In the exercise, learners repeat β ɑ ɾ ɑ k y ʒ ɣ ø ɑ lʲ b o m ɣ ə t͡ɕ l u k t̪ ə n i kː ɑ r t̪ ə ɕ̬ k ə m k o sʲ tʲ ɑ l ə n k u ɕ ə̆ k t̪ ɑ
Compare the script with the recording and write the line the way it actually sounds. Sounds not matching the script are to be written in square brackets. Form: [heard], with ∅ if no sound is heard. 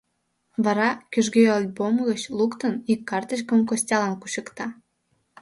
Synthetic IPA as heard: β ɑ ɾ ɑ k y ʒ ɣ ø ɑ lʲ b o m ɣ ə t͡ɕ l u k t̪ ə n i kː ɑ r t̪ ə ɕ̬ k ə m k o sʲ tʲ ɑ l [ɑ] n k u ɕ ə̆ k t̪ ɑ